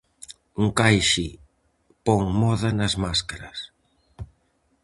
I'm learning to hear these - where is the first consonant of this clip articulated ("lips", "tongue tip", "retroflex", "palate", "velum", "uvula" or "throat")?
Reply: velum